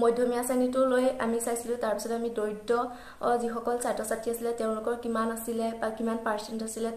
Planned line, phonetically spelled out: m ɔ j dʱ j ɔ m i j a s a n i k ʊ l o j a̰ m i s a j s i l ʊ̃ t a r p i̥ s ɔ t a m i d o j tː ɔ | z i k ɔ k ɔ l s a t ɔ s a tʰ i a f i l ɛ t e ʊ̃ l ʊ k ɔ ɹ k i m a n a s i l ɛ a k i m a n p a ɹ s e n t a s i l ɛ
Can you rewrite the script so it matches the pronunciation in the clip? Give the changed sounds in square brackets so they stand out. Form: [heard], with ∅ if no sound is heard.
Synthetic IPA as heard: m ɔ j dʱ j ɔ m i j a s a n i [t] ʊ l o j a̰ m i s a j s i l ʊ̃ t a [ɹ] p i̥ s ɔ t a m i d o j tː ɔ | z i [x] ɔ k ɔ l s a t ɔ s a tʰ i a [s] i l ɛ t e ʊ̃ l ʊ k ɔ ɹ k i m a n a s i l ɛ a k i m a n p a ɹ s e n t a s i l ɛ